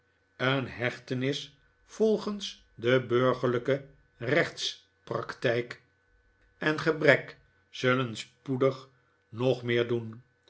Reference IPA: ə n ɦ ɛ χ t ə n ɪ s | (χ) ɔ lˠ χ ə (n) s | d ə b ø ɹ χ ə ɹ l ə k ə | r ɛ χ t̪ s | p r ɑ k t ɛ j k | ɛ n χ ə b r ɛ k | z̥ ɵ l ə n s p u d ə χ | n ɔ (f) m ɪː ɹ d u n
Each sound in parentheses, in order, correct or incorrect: incorrect: f, correct, incorrect: χ

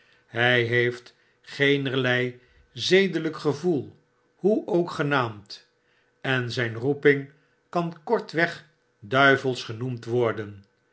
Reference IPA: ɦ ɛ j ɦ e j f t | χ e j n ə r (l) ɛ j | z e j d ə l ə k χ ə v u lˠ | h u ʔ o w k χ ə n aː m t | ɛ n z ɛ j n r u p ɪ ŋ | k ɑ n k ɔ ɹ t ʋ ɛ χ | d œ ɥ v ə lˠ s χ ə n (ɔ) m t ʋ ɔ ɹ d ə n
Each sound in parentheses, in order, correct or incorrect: correct, incorrect: u

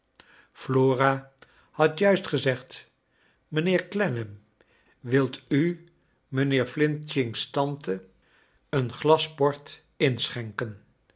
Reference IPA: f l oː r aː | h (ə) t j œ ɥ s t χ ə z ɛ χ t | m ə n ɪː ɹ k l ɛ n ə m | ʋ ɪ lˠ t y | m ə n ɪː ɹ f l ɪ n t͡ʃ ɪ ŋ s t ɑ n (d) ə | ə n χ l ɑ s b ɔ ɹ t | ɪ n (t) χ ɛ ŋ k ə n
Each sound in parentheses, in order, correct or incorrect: incorrect: ɑ, incorrect: t, incorrect: s

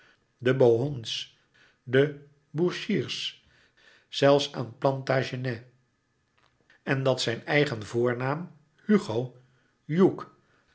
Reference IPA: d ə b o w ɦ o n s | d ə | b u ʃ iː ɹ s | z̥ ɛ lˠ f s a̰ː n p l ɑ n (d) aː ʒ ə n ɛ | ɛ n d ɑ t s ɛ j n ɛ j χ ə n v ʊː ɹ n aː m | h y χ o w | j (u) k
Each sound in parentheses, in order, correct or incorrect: incorrect: t, correct

